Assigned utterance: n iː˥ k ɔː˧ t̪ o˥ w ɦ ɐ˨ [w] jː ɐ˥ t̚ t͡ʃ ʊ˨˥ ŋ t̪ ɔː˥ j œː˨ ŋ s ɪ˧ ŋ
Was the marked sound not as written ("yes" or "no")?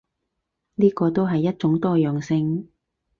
yes